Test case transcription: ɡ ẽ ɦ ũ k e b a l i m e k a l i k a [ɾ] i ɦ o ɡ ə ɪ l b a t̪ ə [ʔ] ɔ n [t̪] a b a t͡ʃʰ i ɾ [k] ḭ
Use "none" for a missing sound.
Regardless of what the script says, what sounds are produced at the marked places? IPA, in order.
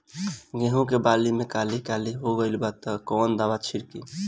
l, k, d̪, k

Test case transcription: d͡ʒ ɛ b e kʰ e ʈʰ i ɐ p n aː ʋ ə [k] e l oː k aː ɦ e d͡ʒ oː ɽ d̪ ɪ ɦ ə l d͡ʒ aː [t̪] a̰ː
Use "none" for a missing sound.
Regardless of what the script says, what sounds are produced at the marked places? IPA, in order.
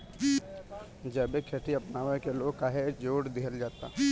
k, t̪

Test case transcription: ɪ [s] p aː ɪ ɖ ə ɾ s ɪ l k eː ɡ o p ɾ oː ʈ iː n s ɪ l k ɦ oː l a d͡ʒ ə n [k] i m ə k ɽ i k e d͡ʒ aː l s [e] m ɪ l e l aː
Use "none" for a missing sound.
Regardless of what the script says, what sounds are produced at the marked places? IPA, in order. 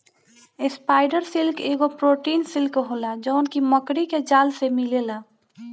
s, k, e

